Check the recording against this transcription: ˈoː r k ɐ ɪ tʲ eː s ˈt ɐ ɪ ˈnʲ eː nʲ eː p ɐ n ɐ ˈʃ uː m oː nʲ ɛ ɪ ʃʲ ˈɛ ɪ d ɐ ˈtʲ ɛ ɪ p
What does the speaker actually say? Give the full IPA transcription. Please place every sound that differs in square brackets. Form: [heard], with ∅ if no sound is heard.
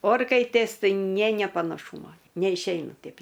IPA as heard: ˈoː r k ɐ ɪ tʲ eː s ˈt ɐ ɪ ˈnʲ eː nʲ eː p ɐ n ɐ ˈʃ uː m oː nʲ ɛ ɪ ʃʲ ˈɛ ɪ [n] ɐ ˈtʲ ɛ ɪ p